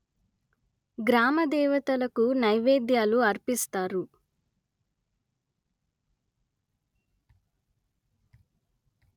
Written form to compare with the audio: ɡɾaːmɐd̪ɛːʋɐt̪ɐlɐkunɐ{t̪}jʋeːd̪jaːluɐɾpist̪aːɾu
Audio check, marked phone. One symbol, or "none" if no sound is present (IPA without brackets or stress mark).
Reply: none